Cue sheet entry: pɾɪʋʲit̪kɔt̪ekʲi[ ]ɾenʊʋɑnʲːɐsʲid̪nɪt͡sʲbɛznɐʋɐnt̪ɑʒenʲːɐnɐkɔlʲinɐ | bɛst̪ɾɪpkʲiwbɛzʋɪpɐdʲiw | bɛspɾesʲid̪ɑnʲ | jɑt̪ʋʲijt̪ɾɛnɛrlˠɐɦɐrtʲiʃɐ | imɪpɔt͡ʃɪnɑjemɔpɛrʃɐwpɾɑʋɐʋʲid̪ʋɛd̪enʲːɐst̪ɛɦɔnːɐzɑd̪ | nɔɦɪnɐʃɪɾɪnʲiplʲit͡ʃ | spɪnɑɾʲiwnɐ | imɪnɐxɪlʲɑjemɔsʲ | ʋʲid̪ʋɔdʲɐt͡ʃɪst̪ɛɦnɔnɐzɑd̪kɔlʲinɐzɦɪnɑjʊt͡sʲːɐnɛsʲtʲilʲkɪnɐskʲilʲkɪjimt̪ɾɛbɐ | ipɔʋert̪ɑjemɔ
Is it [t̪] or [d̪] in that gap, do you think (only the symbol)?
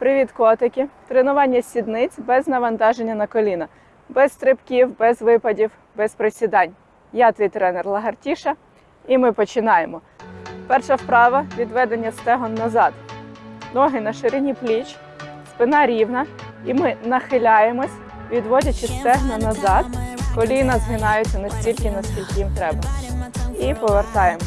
t̪